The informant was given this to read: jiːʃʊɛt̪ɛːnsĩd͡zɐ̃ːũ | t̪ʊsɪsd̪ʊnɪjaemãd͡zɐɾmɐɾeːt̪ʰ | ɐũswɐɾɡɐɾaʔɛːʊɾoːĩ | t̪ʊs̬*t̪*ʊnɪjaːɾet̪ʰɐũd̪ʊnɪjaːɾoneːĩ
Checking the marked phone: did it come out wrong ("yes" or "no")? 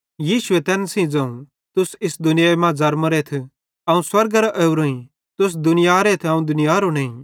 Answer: yes